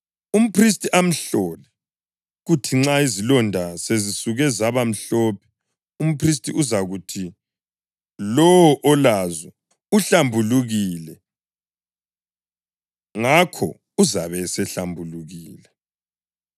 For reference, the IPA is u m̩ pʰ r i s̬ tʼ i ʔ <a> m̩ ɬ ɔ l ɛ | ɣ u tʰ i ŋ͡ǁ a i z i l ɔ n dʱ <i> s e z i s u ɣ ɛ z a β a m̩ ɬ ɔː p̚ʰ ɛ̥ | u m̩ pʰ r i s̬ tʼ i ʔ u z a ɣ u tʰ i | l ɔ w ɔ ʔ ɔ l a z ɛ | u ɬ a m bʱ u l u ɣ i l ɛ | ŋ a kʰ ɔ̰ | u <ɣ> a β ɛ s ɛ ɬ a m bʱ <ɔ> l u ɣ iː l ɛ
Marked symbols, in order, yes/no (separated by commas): yes, no, no, no